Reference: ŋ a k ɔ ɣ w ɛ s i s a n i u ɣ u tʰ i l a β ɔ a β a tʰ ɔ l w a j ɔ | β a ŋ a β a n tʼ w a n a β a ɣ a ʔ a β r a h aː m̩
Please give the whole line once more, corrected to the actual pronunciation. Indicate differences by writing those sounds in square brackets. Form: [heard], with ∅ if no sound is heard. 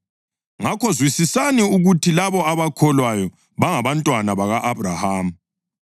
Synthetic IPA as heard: ŋ a k ɔ [z] w [i] s i s a n i u ɣ u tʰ i l a β ɔ a β a [kʰ] ɔ l w a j ɔ | β a ŋ a β a n tʼ w a n a β a ɣ a ʔ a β r a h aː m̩

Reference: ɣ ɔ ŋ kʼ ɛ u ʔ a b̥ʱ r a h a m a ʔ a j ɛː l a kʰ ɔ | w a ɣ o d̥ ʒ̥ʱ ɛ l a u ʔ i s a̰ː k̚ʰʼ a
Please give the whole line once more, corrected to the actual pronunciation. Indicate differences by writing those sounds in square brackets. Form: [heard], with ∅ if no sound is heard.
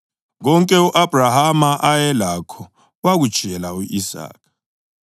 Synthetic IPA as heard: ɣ ɔ ŋ kʼ ɛ u ʔ a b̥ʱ r a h a m a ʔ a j [ɛ] l a kʰ ɔ | w a ɣ [u] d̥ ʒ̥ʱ ɛ l a u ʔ i s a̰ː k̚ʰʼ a

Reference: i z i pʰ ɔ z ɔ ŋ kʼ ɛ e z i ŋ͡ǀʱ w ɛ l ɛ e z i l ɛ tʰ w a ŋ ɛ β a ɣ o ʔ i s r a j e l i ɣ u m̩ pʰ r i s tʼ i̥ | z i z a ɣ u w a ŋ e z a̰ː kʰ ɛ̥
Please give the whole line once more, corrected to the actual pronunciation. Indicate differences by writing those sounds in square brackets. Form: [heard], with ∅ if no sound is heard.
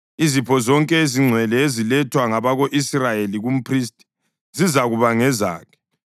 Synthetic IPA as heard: i z i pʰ ɔ z ɔ ŋ kʼ ɛ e z i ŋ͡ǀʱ w ɛ l ɛ e z i l ɛ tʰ w a ŋ [a] β a ɣ o ʔ i s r a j e l i ɣ u m̩ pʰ r i s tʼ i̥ | z i z a ɣ u [β] a ŋ [ɛ] z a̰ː kʰ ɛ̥

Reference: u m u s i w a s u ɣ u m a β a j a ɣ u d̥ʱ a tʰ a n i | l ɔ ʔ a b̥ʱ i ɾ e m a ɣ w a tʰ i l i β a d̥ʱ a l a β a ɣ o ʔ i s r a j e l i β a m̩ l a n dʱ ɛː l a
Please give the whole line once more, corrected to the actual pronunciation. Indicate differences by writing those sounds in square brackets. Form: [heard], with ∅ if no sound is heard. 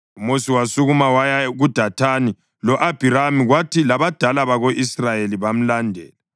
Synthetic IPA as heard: u m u s i w a s u ɣ u m a [w] a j a ɣ u d̥ʱ a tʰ a n i | l ɔ ʔ a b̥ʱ i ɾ [a] m [i] ɣ w a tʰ i l [a] β a d̥ʱ a l a β a ɣ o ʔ i s r a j e l i β a m̩ l a n dʱ ɛː l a

